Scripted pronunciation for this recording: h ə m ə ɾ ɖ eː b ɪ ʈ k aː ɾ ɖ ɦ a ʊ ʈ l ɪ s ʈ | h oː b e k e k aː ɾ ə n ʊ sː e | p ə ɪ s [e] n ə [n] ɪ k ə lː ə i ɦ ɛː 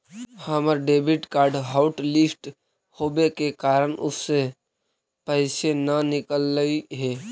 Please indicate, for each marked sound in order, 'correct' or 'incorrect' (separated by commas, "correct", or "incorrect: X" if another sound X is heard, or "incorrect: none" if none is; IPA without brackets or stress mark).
correct, correct